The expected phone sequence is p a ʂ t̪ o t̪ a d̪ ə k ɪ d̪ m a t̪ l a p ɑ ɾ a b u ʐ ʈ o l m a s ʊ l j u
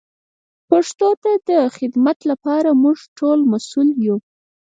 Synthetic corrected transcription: p a ʂ t̪ o t̪ a d̪ ə x ɪ d̪ m a t̪ l a p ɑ ɾ a m u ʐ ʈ o l m a s u l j u